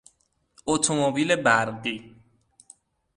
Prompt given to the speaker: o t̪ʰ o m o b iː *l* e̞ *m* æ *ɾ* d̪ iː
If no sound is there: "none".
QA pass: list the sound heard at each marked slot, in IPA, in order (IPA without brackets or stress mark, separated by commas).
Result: l, b, ɾ